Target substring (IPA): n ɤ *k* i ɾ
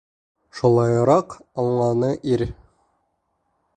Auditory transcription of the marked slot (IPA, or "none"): ʔ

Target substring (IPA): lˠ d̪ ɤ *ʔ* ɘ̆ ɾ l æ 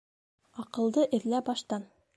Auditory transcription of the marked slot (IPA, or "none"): ʔ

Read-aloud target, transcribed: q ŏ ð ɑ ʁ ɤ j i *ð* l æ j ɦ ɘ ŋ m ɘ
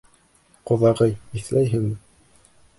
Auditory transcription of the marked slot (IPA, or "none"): θ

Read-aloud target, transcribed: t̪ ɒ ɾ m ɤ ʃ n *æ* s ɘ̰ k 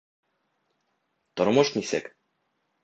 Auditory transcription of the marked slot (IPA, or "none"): i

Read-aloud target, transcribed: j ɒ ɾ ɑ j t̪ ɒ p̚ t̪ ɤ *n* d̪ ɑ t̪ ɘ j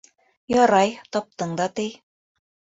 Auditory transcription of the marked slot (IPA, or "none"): ɴ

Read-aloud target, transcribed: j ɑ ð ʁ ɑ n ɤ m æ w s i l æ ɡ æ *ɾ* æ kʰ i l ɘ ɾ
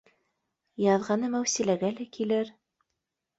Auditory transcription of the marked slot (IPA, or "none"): l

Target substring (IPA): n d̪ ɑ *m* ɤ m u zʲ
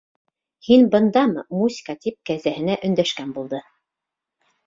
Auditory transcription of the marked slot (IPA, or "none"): m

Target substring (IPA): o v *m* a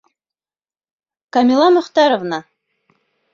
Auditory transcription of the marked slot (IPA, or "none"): n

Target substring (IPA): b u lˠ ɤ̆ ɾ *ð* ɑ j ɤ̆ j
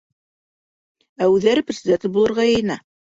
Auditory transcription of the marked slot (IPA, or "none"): ʁ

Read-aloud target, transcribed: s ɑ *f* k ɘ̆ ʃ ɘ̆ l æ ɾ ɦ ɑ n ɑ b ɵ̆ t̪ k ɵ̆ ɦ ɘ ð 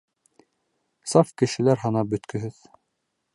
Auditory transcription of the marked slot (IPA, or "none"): f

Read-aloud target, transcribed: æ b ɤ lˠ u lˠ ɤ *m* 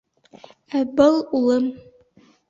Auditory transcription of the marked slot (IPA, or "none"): m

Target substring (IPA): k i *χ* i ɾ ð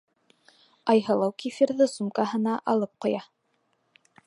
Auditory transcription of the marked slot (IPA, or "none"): f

